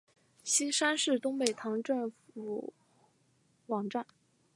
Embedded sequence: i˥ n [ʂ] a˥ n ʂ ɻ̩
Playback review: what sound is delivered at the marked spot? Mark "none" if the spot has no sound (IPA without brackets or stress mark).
ʂ